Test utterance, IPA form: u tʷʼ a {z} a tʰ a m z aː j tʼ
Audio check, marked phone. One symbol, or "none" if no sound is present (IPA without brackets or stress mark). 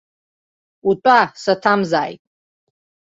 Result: s